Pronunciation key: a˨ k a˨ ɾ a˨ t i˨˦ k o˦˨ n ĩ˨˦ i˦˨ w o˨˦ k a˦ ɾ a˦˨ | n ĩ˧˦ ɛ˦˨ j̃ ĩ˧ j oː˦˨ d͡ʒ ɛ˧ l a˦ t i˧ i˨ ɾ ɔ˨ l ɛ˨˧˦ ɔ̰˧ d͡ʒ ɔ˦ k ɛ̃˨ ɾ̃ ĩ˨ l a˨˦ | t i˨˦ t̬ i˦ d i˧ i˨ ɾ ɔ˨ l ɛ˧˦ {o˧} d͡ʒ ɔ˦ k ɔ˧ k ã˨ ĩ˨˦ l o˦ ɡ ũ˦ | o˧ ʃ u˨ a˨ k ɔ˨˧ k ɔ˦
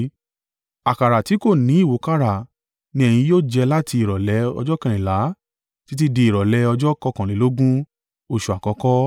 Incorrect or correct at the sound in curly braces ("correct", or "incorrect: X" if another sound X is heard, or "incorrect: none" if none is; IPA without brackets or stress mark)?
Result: incorrect: ɔ˧